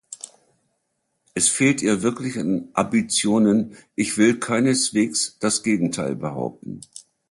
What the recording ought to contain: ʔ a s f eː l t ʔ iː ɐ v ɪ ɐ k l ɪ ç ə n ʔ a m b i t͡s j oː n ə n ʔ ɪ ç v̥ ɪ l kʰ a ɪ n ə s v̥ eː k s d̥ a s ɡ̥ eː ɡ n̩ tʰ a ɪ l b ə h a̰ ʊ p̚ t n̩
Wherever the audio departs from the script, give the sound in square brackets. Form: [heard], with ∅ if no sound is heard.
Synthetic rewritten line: ʔ [ɛ] s f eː l t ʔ iː ɐ v ɪ ɐ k l ɪ ç [a] n ʔ a m b i t͡s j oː n ə n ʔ ɪ ç v̥ ɪ l kʰ a ɪ n ə s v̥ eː k s d̥ a s ɡ̥ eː ɡ [ŋ̩] tʰ a ɪ l b ə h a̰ ʊ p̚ t n̩